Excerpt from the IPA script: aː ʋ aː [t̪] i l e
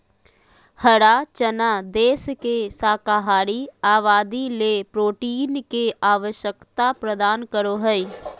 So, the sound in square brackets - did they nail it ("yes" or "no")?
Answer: no